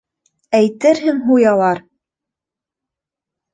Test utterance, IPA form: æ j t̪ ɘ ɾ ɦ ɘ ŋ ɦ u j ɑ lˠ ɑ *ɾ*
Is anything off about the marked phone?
no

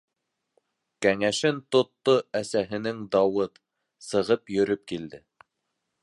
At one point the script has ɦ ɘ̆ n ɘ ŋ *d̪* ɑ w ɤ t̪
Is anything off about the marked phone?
no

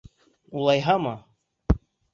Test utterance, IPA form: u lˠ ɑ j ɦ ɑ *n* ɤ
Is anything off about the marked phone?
yes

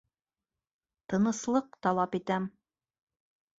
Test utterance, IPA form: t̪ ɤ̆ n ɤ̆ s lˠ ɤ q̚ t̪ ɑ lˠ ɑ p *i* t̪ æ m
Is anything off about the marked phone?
no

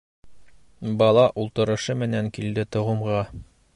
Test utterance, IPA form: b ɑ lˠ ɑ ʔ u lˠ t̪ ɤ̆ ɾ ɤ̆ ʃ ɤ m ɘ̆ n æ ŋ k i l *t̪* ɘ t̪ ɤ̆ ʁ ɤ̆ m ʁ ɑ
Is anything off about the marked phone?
yes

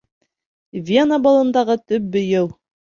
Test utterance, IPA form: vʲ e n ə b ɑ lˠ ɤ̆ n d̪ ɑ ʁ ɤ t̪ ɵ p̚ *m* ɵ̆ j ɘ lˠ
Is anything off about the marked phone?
yes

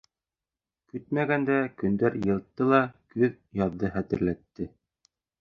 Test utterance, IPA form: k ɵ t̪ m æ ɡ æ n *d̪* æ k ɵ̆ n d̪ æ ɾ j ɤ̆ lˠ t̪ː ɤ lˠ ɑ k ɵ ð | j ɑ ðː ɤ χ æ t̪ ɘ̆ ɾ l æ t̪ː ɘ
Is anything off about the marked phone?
no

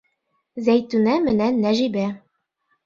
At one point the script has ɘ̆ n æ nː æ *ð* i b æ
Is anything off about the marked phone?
yes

